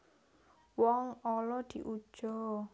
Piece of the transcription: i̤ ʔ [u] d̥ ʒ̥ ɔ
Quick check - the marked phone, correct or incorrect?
correct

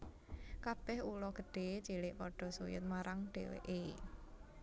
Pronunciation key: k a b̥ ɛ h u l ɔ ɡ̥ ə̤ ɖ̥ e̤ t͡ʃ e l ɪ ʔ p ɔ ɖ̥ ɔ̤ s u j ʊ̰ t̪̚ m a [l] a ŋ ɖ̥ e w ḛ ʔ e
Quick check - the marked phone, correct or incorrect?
incorrect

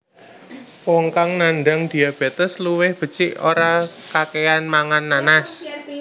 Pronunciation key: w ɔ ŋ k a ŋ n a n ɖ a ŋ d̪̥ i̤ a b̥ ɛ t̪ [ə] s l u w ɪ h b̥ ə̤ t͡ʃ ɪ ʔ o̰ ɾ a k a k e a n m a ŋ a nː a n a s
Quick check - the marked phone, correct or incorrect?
correct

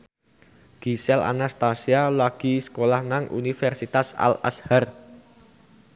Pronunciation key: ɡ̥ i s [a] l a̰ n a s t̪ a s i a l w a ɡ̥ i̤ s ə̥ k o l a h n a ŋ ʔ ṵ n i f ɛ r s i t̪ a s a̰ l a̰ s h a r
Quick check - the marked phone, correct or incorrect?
incorrect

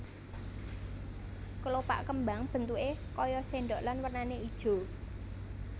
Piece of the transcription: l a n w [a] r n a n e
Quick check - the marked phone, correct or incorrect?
incorrect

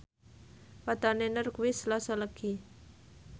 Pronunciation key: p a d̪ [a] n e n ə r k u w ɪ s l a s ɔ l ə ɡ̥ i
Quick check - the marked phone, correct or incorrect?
correct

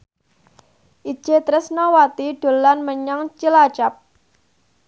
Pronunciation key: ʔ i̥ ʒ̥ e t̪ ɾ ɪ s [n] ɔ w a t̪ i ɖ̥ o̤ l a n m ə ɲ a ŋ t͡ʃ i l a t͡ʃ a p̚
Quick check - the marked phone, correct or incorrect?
correct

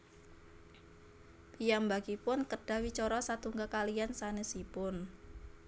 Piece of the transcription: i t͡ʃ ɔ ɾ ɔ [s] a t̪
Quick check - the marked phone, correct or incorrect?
correct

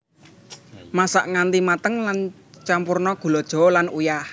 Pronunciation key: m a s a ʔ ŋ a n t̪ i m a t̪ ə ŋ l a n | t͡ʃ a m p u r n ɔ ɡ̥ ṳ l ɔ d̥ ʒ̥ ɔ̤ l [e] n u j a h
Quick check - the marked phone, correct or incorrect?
incorrect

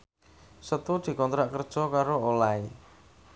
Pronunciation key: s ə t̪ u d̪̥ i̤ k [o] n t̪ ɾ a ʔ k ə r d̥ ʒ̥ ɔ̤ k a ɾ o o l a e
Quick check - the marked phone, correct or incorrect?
incorrect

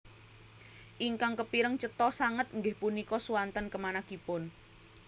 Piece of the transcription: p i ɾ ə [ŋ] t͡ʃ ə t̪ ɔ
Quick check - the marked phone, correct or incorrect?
correct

